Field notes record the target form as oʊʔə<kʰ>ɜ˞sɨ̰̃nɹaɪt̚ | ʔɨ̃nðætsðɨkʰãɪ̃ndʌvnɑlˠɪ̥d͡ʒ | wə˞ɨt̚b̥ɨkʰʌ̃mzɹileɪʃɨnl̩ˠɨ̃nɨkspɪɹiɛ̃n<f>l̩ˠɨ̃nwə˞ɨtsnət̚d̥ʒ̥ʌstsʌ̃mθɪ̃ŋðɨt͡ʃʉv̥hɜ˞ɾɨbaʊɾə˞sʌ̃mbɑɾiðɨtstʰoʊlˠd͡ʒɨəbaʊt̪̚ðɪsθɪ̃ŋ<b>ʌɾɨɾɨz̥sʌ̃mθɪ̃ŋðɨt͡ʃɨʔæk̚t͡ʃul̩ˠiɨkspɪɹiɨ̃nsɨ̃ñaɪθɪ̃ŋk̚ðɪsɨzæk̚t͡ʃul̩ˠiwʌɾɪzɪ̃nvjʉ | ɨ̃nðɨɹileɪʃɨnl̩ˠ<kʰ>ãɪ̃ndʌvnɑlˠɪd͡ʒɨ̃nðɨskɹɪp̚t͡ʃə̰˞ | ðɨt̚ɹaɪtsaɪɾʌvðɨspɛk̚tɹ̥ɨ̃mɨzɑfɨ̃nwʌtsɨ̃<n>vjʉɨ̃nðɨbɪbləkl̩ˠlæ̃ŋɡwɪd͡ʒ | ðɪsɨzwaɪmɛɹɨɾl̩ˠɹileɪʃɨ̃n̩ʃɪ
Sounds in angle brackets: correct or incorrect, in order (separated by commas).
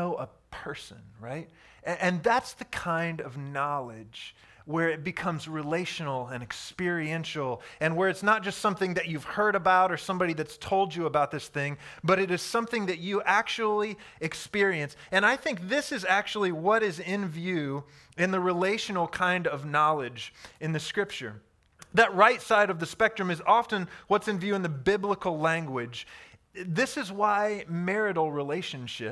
incorrect, incorrect, correct, correct, correct